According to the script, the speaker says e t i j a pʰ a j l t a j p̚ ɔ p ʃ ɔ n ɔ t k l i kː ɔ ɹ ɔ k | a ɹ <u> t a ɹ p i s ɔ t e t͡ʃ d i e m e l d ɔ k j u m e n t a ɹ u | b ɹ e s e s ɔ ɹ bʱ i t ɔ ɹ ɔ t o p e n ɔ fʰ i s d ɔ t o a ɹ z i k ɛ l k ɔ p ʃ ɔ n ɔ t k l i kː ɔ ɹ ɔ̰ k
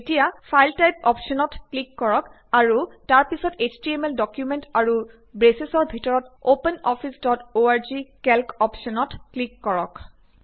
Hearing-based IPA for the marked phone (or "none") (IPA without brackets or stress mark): u